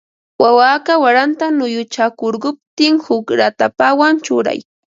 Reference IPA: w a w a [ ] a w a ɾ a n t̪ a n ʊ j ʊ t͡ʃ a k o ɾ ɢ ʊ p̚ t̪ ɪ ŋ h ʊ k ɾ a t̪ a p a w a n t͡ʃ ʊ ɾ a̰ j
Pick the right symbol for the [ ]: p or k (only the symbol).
k